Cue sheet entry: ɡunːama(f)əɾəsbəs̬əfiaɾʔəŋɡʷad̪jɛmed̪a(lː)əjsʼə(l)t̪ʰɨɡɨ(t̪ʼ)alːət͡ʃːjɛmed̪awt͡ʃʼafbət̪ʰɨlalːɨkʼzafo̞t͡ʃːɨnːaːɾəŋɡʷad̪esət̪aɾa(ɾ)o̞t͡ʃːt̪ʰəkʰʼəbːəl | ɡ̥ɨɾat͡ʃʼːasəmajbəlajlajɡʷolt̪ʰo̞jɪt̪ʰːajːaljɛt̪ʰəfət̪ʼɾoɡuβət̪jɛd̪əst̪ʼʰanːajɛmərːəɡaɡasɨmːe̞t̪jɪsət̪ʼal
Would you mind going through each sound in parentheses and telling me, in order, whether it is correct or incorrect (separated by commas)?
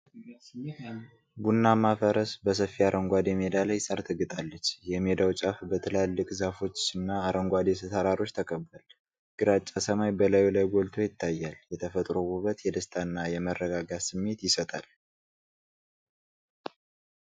correct, incorrect, incorrect, correct, correct